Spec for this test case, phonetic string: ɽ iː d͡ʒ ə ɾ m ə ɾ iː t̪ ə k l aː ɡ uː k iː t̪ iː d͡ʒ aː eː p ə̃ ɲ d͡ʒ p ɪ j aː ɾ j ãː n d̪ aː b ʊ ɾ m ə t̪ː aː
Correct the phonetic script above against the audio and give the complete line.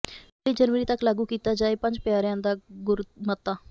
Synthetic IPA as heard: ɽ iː d͡ʒ ə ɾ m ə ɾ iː t̪ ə k l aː ɡ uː k iː t̪ aː d͡ʒ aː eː p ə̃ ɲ d͡ʒ p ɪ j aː ɾ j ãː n d̪ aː ɡ ʊ ɾ m ə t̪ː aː